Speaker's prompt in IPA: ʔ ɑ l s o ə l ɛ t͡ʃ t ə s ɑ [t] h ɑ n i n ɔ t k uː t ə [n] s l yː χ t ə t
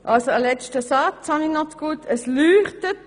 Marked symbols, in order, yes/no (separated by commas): no, no